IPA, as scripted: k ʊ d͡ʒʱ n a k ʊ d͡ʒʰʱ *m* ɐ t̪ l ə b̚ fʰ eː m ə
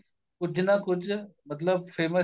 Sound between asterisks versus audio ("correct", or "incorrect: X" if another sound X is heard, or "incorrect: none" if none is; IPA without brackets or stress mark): correct